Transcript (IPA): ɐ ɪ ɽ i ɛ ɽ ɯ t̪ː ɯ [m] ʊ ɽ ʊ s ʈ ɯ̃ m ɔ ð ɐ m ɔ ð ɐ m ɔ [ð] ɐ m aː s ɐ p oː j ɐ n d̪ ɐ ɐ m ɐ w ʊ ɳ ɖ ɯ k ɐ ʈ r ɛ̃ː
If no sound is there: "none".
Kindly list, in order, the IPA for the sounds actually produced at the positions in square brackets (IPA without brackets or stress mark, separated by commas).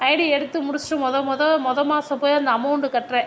m, ð